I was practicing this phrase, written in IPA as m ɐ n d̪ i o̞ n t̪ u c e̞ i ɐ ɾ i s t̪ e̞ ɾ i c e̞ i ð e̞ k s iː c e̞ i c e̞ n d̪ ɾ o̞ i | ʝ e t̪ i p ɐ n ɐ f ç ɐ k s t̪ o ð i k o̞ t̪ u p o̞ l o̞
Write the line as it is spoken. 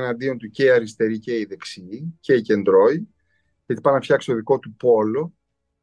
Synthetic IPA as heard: n ɐ n d̪ i o̞ n t̪ u c e̞ i ɐ ɾ i s t̪ e̞ ɾ i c e̞ i ð e̞ k s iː c e̞ i c e̞ n d̪ ɾ o̞ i | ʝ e t̪ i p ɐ n ɐ f ç ɐ k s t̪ o ð i k o̞ t̪ u p o̞ l o̞